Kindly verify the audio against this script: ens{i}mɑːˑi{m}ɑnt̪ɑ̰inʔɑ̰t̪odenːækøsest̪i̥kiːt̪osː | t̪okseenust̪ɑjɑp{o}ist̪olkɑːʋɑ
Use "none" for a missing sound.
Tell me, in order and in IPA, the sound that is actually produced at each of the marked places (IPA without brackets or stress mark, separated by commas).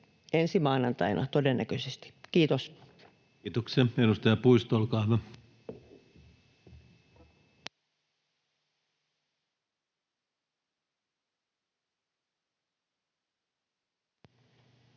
i, n, u